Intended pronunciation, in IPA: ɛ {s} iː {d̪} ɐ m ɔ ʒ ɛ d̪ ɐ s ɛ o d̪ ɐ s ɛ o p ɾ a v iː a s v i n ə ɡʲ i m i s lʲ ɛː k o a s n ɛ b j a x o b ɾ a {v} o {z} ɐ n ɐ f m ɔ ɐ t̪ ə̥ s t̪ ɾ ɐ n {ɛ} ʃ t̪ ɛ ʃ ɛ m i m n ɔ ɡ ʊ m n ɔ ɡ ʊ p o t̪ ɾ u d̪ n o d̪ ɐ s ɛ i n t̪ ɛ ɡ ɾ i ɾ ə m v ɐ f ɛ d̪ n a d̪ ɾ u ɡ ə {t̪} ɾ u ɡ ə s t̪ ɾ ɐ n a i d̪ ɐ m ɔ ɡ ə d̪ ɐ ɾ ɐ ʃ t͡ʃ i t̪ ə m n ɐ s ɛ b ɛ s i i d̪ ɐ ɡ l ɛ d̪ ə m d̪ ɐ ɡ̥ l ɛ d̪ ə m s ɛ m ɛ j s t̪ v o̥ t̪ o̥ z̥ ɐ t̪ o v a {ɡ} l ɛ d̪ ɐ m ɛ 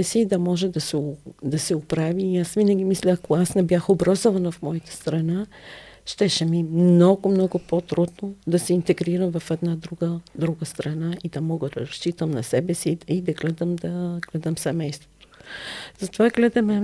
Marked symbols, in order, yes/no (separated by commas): yes, yes, no, no, no, no, yes